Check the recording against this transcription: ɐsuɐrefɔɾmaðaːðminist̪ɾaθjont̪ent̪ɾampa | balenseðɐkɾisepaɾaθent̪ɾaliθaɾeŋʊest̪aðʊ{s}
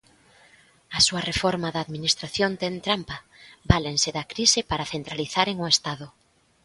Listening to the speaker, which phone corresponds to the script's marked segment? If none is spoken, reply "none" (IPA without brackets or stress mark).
none